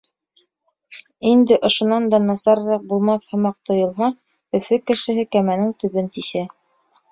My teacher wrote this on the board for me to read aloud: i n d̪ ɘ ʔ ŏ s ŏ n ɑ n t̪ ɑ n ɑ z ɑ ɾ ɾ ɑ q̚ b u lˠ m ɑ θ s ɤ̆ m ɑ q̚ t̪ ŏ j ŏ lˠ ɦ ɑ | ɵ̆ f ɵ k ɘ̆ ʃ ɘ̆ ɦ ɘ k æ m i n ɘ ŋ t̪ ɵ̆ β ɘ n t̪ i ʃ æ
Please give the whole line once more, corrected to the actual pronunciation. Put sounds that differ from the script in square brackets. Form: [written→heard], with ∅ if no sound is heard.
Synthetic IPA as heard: i n d̪ ɘ ʔ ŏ [s→ʃ] ŏ n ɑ n [t̪→d̪] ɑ n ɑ [z→s] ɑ ɾ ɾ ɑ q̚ b u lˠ m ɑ θ [s→h] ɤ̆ m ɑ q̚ t̪ ŏ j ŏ lˠ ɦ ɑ | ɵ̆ f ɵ k ɘ̆ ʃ ɘ̆ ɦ ɘ k æ m [i→æ] n ɘ ŋ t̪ ɵ̆ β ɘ n t̪ i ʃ æ